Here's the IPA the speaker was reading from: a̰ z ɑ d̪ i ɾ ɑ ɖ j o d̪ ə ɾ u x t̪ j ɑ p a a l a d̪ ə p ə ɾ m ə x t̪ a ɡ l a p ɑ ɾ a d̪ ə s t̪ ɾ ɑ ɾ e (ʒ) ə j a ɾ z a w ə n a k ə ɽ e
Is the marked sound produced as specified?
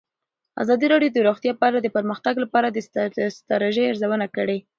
yes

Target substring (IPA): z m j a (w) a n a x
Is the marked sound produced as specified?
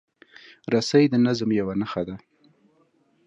yes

